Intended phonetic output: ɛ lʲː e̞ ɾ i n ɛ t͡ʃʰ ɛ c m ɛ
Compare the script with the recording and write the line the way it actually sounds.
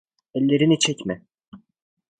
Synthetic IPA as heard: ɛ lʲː e̞ ɾ i n i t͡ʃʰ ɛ c m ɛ